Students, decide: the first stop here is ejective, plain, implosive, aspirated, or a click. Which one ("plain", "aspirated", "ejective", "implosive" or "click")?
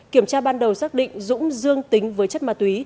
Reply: plain